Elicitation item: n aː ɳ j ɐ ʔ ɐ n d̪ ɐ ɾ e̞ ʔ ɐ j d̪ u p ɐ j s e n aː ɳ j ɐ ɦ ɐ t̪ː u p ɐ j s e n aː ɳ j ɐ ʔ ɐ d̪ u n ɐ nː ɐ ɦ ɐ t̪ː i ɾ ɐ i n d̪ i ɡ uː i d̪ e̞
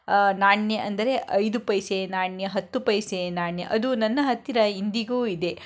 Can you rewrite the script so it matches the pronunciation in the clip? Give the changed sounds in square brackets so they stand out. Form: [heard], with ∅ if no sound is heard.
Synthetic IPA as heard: n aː ɳ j ɐ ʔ ɐ n d̪ ɐ ɾ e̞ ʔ ɐ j d̪ u p ɐ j s e n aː ɳ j ɐ ɦ ɐ t̪ː u p ɐ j s e n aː ɳ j ɐ ʔ ɐ d̪ u n ɐ nː ɐ ɦ ɐ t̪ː i ɾ ɐ i n d̪ i ɡ uː i d̪ e̞